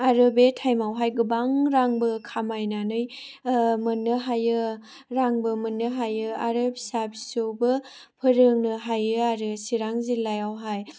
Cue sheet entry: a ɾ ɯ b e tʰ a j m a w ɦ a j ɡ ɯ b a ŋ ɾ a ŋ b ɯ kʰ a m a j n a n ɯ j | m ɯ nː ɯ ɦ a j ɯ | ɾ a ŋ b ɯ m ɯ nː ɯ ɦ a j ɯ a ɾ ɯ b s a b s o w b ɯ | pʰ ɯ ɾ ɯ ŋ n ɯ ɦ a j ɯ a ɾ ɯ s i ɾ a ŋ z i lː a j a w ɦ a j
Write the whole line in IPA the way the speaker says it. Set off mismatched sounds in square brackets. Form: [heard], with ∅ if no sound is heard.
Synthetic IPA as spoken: a ɾ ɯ b e tʰ a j m a w ɦ a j ɡ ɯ b a ŋ ɾ a ŋ b ɯ kʰ a m a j n a n ɯ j | m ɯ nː ɯ ɦ a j ɯ | ɾ a ŋ b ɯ m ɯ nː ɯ ɦ a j ɯ a ɾ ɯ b s a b s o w b ɯ | pʰ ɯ ɾ ɯ ŋ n ɯ ɦ a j ɯ a ɾ ɯ s i ɾ a ŋ z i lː a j a w ɦ a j